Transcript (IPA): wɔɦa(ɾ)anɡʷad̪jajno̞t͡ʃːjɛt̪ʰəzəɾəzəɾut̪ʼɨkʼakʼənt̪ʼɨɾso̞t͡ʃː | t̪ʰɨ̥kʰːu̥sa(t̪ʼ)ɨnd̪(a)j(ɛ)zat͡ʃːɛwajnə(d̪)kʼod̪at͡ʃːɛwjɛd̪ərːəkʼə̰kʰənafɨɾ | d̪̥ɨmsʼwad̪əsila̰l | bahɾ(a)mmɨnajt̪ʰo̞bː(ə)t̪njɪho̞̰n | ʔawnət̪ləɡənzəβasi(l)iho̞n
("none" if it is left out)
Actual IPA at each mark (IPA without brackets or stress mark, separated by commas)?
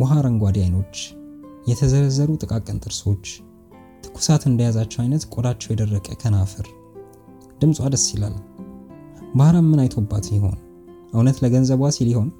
ɾ, t̪, ə, a, t̪, a, a, l